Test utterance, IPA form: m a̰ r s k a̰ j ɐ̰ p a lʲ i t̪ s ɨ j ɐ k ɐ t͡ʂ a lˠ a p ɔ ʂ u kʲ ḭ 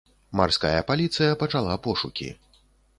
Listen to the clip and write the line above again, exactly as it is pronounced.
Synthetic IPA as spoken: m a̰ r s k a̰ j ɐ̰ p a lʲ i t̪ s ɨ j ɐ p ɐ t͡ʂ a lˠ a p ɔ ʂ u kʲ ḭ

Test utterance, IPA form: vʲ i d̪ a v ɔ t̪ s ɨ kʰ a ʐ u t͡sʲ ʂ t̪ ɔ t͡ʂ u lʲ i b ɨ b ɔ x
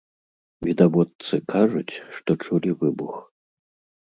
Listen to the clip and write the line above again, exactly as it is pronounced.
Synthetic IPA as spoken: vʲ i d̪ a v ɔ t̪ s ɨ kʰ a ʐ u t͡sʲ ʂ t̪ ɔ t͡ʂ u lʲ i v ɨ b u x

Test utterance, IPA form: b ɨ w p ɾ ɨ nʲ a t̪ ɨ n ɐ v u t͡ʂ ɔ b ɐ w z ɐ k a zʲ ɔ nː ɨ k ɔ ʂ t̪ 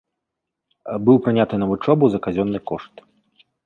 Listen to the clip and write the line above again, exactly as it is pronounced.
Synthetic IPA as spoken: b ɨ w p ɾ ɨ nʲ a t̪ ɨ n ɐ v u t͡ʂ ɔ b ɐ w z ɐ k a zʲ ɔ nː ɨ k ɔ ʂ t̪

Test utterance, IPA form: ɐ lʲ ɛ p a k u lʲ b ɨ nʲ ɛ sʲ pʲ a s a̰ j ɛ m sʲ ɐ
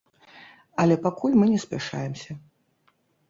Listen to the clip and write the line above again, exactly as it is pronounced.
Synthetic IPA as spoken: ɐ lʲ ɛ p a k u lʲ m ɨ nʲ ɛ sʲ pʲ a ʂ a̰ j ɛ m sʲ ɐ

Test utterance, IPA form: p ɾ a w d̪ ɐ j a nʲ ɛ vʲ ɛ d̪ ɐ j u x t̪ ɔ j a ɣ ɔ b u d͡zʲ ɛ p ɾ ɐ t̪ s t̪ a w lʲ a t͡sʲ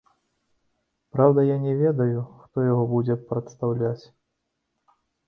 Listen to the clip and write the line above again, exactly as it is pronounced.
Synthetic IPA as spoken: p ɾ a w d̪ ɐ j a nʲ ɛ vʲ ɛ d̪ ɐ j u x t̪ ɔ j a ɣ ɔ b u d͡zʲ ɛ p ɾ ɐ t̪ s t̪ a w lʲ a t͡sʲ

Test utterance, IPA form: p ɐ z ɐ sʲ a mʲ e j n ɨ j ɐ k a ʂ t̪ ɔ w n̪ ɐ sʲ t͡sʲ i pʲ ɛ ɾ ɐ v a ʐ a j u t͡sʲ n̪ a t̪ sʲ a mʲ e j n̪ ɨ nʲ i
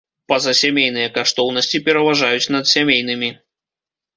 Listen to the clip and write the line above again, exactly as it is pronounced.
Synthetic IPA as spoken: p ɐ z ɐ sʲ a mʲ e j n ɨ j ɐ k a ʂ t̪ ɔ w n̪ ɐ sʲ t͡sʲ i pʲ ɛ ɾ ɐ v a ʐ a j u t͡sʲ n̪ ɐ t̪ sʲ a mʲ e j n̪ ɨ mʲ i

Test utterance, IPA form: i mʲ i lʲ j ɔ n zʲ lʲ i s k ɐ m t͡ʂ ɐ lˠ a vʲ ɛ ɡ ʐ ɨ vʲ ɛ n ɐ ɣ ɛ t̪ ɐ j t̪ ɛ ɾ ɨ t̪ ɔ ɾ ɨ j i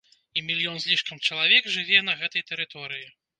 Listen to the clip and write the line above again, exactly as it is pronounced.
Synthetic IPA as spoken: i mʲ i lʲ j ɔ n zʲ lʲ i ʂ k ɐ m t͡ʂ ɐ lˠ a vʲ ɛ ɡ ʐ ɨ vʲ ɛ n ɐ ɣ ɛ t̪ ɐ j t̪ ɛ ɾ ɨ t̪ ɔ ɾ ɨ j i

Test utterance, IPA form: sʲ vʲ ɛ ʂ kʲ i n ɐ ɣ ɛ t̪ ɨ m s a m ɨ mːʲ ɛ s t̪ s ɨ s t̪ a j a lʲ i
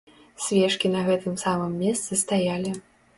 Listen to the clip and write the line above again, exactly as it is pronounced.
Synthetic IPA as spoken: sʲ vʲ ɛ ʂ kʲ i n ɐ ɣ ɛ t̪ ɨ m s a m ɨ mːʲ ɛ s t̪ s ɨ s t̪ a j a lʲ i

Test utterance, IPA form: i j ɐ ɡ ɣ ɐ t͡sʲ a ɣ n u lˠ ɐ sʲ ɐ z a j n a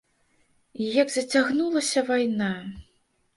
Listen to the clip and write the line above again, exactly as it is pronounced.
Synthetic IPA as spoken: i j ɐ ɡ z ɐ t͡sʲ a ɣ n u lˠ ɐ sʲ ɐ v a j n a

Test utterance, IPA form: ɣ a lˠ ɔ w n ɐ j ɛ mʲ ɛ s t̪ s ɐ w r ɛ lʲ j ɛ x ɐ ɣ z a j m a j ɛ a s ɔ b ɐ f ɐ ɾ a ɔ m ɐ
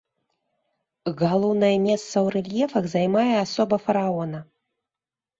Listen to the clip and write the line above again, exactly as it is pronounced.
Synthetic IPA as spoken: ɣ a lˠ ɔ w n ɐ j ɛ mʲ ɛ s t̪ s ɐ w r ɛ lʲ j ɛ f ɐ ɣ z a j m a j ɛ a s ɔ b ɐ f ɐ ɾ a ɔ n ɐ

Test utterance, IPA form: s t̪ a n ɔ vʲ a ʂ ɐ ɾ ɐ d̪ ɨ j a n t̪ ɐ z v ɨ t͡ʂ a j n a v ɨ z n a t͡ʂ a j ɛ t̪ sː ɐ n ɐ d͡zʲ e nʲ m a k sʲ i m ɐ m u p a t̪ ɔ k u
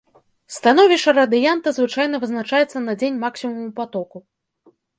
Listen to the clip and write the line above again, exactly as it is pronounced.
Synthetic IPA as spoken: s t̪ a n ɔ vʲ i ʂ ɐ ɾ ɐ d̪ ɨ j a n t̪ ɐ z v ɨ t͡ʂ a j n ɐ v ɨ z n a t͡ʂ a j ɛ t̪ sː ɐ n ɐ d͡zʲ e nʲ m a k sʲ i m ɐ m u p a t̪ ɔ k u

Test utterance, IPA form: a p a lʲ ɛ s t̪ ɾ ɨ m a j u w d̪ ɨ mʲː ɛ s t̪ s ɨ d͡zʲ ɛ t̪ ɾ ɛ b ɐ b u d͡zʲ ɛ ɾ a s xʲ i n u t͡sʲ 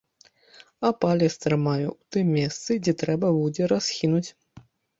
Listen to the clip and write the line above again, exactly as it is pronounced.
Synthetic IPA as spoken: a p a lʲ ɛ s t̪ ɾ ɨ m a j u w t̪ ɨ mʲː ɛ s t̪ s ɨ d͡zʲ ɛ t̪ ɾ ɛ b ɐ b u d͡zʲ ɛ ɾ a s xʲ i n u t͡sʲ

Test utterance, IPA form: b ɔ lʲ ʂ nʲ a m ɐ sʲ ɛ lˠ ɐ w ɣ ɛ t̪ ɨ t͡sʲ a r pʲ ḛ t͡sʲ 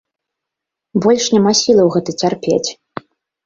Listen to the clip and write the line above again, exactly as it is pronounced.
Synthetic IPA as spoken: b ɔ lʲ ʂ nʲ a m a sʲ i lˠ ɐ w ɣ ɛ t̪ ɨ t͡sʲ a r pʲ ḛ t͡sʲ

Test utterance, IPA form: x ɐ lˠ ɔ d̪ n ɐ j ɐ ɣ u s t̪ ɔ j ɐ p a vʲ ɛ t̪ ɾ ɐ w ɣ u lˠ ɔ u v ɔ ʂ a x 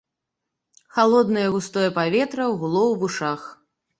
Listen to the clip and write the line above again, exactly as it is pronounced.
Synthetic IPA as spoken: x a lˠ ɔ d̪ n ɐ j ɐ ɣ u s t̪ ɔ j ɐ p a vʲ ɛ t̪ ɾ ɐ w ɣ u lˠ ɔ w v u ʂ a x

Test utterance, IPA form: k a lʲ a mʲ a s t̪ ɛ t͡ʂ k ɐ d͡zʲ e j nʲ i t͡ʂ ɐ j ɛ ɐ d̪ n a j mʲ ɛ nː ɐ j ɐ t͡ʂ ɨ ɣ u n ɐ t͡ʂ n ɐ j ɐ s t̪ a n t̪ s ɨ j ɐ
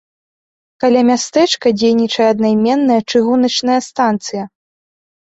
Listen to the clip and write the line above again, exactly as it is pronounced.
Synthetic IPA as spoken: k a lʲ a mʲ a s t̪ ɛ t͡ʂ k ɐ d͡zʲ e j nʲ i t͡ʂ ɐ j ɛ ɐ d̪ n a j mʲ ɛ nː ɐ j ɐ t͡ʂ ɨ ɣ u n ɐ t͡ʂ n ɐ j ɐ s t̪ a n t̪ s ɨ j ɐ

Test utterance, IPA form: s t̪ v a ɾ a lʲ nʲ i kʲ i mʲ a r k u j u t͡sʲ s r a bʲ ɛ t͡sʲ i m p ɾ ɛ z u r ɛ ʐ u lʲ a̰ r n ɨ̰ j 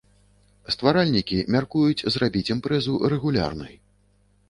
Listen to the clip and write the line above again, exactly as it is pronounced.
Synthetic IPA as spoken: s t̪ v a ɾ a lʲ nʲ i kʲ i mʲ a r k u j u t͡sʲ z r a bʲ i t͡sʲ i m p ɾ ɛ z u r ɛ ɣ u lʲ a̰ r n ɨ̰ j

